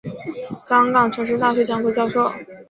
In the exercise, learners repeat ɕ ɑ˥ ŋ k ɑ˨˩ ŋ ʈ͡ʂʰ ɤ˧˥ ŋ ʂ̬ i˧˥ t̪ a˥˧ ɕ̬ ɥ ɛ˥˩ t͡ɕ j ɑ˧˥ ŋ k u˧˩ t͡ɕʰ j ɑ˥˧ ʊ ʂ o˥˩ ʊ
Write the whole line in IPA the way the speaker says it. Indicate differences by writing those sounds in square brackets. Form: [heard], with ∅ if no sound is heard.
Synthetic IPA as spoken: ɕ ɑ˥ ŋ k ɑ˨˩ ŋ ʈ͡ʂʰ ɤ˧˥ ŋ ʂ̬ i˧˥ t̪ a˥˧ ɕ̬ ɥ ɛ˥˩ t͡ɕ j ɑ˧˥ ŋ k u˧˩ [t͡ɕ] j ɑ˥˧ ʊ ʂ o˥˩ ʊ